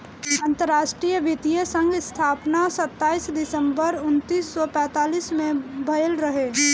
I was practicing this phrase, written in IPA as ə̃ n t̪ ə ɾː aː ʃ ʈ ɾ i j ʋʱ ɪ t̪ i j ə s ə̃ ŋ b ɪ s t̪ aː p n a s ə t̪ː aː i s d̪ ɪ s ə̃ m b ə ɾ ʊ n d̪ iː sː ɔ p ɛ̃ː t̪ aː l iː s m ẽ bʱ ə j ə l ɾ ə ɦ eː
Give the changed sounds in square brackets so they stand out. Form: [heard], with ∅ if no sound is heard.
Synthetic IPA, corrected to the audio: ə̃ n t̪ ə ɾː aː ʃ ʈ ɾ i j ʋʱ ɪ t̪ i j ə s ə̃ ŋ [ɡ] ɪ s [t̪ʰ] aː p n a s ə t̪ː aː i s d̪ ɪ s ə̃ m b ə ɾ ʊ n [t̪] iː sː ɔ p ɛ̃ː t̪ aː l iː s m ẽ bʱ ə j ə l ɾ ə ɦ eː